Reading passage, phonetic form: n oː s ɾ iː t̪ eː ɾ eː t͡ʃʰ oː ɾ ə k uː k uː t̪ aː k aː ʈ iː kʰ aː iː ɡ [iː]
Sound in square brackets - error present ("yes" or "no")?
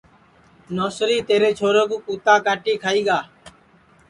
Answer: yes